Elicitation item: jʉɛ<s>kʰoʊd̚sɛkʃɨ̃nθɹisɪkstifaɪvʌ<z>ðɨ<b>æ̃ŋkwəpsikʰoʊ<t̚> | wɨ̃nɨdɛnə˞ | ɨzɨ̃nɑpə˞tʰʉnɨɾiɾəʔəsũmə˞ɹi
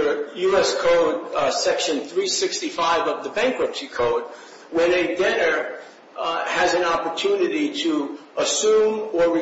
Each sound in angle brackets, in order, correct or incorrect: correct, incorrect: v, correct, incorrect: d̚

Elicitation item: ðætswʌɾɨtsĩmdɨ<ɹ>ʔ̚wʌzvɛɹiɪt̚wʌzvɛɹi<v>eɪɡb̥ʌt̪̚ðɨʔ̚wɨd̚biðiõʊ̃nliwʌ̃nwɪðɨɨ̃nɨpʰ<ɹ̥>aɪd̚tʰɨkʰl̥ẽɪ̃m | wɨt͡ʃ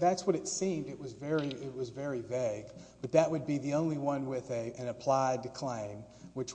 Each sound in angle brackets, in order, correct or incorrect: incorrect: none, correct, incorrect: l̥

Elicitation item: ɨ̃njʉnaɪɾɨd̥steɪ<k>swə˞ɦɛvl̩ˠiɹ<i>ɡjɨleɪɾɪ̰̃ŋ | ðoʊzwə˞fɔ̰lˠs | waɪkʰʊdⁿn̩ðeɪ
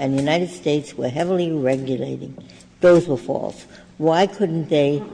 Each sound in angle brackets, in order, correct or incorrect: incorrect: t, incorrect: ɛ

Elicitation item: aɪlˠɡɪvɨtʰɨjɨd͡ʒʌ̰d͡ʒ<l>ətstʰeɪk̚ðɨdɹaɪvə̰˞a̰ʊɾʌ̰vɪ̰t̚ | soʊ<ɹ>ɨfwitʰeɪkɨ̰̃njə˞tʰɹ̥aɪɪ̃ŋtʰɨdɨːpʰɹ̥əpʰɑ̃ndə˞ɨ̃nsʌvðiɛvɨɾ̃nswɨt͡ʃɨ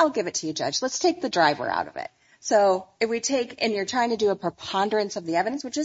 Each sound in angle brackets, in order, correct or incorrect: correct, incorrect: none

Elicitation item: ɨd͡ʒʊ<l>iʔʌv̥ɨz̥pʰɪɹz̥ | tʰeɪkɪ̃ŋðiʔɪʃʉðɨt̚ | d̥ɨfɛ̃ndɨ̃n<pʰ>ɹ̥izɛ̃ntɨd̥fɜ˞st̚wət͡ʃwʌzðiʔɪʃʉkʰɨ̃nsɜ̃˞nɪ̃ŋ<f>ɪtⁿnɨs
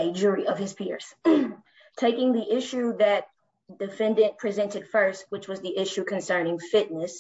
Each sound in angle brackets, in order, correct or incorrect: incorrect: ɹ, correct, correct

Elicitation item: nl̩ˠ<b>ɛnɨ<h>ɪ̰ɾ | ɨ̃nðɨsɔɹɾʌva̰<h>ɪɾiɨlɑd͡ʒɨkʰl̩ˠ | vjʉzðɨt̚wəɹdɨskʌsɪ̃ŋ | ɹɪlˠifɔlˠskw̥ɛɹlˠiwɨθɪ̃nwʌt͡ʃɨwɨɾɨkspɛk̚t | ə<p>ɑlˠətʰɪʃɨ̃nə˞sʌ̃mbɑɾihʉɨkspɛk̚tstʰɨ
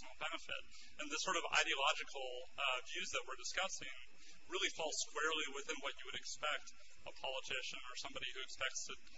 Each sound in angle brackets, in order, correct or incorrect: correct, incorrect: f, incorrect: none, incorrect: pʰ

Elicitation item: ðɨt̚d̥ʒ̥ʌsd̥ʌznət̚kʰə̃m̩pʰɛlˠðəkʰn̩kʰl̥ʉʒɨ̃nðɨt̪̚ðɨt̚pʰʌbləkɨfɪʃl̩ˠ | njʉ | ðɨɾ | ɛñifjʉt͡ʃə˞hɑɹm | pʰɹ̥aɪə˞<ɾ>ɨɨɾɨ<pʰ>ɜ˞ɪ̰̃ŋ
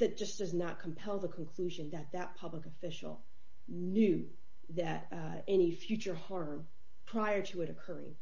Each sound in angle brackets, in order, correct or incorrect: correct, incorrect: kʰ

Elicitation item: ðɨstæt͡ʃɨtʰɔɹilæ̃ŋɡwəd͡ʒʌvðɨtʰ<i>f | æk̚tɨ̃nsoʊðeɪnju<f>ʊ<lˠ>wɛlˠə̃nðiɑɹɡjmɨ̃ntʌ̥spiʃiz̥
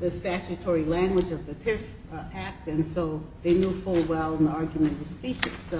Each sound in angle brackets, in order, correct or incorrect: incorrect: ɪ, correct, correct

